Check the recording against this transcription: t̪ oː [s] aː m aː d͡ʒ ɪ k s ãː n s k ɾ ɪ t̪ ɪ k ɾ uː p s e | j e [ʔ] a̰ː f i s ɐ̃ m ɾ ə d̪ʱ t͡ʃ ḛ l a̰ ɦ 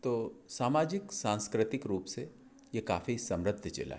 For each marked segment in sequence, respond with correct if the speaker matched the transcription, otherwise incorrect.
correct, incorrect: k

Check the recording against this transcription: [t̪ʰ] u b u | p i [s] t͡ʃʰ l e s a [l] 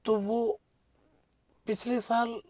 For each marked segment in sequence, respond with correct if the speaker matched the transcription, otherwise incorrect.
incorrect: t̪, incorrect: none, correct

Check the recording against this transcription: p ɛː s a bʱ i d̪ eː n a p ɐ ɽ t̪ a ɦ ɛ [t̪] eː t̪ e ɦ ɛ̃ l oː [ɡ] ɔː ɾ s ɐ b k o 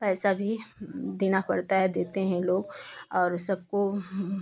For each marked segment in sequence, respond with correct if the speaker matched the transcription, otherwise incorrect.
incorrect: d̪, correct

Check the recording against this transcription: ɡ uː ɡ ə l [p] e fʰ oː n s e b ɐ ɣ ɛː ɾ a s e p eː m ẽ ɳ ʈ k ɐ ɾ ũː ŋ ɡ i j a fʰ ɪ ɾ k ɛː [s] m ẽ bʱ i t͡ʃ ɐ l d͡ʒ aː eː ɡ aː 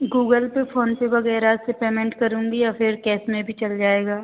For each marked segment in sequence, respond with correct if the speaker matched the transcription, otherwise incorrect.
correct, correct

